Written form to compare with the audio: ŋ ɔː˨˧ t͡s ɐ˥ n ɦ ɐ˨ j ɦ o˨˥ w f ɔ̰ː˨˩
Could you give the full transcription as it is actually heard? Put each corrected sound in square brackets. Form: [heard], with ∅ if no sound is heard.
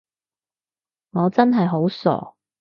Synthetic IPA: ŋ ɔː˨˧ t͡s ɐ˥ n ɦ ɐ˨ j ɦ o˨˥ w [s] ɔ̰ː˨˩